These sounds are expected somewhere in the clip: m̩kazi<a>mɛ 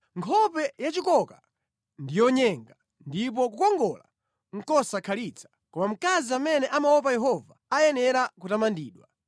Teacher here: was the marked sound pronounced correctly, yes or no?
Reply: yes